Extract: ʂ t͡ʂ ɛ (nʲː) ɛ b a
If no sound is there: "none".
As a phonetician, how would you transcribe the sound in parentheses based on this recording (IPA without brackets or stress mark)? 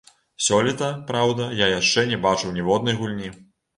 nʲ